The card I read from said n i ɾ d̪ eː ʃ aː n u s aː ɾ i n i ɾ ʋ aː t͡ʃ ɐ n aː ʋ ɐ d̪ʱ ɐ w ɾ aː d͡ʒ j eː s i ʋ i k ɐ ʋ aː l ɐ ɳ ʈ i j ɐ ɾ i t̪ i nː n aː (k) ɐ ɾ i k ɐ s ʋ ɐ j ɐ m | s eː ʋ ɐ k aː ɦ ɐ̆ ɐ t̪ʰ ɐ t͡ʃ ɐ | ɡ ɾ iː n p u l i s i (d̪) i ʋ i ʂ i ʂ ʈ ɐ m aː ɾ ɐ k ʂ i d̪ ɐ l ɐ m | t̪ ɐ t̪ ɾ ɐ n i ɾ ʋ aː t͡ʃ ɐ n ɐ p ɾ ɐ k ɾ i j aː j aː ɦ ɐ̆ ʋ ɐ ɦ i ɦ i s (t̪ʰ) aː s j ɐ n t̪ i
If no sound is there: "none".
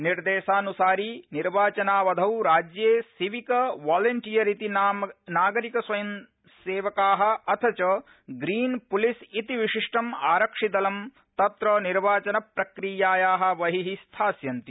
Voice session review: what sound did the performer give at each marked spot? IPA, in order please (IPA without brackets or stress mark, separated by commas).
ɡ, t̪, t̪ʰ